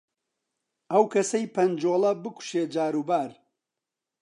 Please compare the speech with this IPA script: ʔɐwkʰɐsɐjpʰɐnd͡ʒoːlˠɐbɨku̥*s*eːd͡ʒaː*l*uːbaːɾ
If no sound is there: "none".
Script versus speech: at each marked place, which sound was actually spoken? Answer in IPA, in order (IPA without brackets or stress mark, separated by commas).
ʃ, ɾ